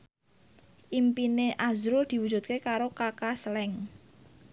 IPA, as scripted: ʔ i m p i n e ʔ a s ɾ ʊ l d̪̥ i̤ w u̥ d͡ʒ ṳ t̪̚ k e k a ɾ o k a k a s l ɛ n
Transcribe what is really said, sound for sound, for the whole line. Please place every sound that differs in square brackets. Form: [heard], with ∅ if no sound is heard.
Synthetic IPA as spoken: ʔ i m p i n e ʔ a [z] ɾ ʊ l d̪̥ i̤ w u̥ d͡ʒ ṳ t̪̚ k e k a ɾ o k a k a s l ɛ [ŋ]